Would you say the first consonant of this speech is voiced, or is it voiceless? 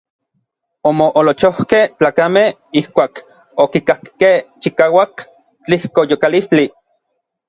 voiced